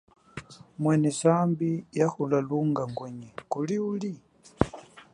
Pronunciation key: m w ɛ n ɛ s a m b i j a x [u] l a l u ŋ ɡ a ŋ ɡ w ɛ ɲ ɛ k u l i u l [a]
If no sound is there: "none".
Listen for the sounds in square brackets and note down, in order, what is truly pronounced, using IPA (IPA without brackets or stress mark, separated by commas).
u, i